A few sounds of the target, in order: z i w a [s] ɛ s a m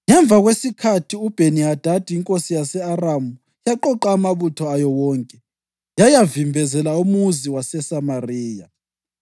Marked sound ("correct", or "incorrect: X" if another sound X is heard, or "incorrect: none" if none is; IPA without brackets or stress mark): correct